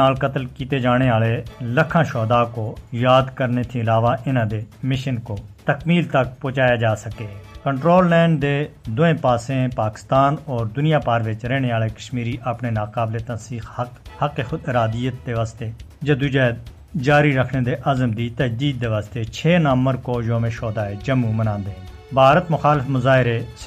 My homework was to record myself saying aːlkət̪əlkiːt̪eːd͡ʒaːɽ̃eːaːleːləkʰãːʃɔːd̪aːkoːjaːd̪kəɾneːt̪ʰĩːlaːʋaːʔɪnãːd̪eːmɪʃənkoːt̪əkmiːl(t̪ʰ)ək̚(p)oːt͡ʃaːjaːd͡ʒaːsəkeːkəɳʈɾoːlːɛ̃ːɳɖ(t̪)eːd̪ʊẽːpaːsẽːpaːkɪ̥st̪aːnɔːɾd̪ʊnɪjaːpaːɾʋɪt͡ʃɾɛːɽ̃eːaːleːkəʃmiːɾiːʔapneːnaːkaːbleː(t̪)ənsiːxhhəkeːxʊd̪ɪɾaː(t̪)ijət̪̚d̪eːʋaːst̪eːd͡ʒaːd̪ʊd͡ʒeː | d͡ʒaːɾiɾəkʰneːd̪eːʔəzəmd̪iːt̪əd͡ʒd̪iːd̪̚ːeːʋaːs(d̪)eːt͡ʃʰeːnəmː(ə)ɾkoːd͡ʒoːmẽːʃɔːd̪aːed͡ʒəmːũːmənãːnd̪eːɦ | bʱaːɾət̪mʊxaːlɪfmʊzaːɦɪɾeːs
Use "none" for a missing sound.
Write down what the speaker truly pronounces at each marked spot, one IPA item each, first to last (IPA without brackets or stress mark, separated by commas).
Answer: t̪, p, d̪, t̪, d̪, t̪, ə